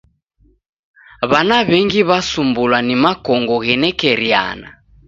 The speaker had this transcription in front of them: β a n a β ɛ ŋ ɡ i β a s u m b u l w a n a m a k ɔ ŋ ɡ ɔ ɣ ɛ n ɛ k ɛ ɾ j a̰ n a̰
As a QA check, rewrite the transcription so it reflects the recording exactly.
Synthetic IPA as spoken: β a n a β ɛ ŋ ɡ i β a s u m b u l w a n i m a k ɔ ŋ ɡ ɔ ɣ ɛ n ɛ k ɛ ɾ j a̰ n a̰